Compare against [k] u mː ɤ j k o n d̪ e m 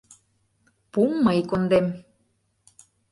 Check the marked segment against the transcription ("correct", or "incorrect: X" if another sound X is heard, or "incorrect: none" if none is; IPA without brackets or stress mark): incorrect: p